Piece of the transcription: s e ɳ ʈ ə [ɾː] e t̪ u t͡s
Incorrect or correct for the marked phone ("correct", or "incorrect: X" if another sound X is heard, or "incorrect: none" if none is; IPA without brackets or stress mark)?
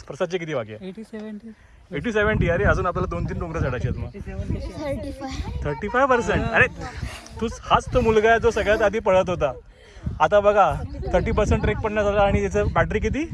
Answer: incorrect: ɾ